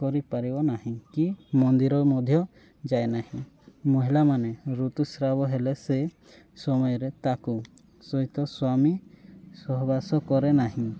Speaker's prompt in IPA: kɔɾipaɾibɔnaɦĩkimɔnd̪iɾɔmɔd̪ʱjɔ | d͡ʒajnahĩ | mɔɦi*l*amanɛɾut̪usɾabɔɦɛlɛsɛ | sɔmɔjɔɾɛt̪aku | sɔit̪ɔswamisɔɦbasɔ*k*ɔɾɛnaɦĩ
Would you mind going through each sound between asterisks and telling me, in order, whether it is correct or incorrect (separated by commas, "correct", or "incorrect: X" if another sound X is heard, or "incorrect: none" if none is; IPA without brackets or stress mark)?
correct, correct